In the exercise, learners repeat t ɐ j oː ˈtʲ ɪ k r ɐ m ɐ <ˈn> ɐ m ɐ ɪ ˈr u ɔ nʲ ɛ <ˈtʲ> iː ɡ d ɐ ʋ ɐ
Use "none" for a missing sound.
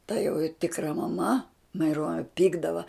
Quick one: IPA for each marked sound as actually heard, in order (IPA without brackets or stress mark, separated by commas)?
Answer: m, pʲ